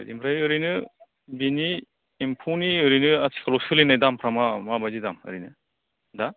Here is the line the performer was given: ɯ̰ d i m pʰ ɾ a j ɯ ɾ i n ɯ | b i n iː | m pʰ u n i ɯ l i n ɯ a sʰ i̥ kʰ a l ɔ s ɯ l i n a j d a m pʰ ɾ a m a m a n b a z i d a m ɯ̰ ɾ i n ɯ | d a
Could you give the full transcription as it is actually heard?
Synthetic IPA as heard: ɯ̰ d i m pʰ ɾ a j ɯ ɾ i n ɯ | b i n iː | m pʰ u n i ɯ ɾ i n ɯ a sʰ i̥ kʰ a l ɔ s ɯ l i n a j d a m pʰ ɾ a m a m a b a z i d a m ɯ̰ ɾ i n ɯ | d a